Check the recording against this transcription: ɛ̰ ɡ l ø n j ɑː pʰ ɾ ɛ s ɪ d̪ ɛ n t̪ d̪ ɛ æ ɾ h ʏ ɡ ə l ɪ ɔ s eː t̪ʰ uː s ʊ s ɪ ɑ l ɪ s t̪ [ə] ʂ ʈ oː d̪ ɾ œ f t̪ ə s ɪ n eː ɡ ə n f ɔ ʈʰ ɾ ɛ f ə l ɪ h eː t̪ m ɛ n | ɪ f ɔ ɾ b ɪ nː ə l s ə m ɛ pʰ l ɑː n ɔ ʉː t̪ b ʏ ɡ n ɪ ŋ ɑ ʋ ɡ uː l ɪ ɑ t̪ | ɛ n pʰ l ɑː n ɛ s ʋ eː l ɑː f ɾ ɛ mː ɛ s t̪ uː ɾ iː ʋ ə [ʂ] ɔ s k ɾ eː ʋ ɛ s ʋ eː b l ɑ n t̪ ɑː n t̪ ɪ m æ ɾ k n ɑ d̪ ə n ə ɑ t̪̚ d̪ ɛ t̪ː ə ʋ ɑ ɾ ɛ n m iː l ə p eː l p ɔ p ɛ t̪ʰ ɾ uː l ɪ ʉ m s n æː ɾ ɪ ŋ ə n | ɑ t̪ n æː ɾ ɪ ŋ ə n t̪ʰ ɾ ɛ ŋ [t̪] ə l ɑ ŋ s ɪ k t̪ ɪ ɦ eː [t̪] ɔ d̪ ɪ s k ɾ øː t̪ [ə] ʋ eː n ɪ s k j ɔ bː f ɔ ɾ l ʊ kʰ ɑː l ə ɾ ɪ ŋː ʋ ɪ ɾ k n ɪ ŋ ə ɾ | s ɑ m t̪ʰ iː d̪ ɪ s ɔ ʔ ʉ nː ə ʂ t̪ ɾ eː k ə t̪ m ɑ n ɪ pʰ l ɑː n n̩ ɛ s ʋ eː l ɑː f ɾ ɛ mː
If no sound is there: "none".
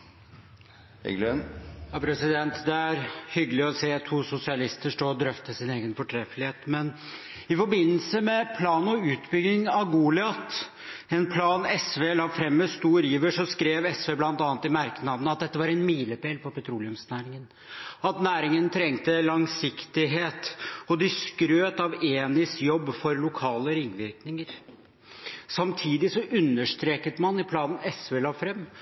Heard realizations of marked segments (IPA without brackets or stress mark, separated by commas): ə, ʂ, t̪, t̪, ɑ